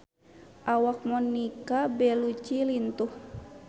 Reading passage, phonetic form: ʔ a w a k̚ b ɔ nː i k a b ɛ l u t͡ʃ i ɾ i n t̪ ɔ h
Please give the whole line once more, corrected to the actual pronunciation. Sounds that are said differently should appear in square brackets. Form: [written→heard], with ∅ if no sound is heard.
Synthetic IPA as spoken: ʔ a w a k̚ [b→m] ɔ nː i k a b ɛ l u t͡ʃ i [ɾ→l] i n t̪ [ɔ→u] h